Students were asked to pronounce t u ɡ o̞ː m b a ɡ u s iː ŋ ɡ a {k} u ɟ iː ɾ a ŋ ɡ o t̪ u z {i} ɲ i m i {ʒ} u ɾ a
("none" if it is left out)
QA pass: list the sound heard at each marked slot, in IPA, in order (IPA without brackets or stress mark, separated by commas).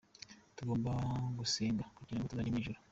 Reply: k, a, ʒ